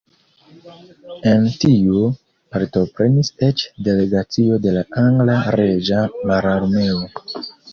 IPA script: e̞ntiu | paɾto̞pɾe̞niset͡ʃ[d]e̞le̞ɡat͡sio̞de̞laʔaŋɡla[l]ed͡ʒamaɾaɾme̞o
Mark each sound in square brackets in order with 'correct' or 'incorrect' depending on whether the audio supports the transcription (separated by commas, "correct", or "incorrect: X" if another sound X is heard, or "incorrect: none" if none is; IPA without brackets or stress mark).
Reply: correct, incorrect: ɾ